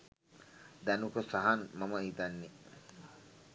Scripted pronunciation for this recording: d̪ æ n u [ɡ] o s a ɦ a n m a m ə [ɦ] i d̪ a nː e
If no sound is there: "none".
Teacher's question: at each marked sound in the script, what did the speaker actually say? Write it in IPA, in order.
k, none

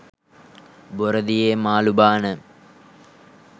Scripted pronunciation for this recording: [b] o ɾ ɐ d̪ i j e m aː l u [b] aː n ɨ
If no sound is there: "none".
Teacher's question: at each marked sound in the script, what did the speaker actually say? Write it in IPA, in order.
b, b

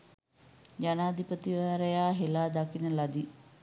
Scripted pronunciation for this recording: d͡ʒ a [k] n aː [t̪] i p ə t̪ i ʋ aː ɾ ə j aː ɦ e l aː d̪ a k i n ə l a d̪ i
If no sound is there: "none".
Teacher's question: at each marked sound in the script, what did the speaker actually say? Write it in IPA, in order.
none, d̪

